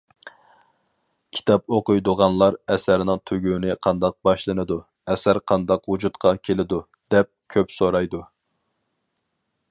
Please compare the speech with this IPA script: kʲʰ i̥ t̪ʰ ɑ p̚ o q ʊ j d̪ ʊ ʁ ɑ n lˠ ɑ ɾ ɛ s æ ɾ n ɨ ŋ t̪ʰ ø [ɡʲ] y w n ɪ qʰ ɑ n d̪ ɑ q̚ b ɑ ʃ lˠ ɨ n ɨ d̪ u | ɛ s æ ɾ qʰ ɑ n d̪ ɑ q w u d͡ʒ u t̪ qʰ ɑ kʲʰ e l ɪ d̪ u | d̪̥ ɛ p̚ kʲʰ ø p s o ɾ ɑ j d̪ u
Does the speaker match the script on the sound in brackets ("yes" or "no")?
yes